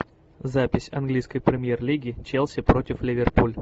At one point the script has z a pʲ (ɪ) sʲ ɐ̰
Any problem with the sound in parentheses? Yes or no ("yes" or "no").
no